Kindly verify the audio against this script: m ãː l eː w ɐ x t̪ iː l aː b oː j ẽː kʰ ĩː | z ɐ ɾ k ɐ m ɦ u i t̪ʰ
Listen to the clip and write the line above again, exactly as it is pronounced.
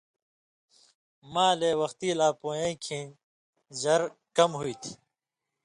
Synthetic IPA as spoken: m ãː l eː w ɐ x t̪ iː l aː p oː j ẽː kʰ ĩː | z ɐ ɾ k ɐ m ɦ u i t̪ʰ